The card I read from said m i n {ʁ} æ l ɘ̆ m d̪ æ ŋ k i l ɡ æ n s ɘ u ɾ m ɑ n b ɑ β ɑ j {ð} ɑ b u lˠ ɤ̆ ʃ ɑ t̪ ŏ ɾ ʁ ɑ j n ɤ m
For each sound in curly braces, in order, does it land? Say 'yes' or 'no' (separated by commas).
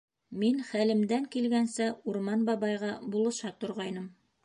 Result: no, no